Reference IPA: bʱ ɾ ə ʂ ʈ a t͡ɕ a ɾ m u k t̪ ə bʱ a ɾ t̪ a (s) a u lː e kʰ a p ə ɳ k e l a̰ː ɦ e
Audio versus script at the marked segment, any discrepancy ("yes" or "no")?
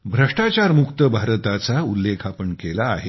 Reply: yes